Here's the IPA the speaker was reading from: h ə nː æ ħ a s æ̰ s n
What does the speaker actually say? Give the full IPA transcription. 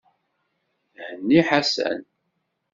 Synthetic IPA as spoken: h ə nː i ħ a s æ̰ n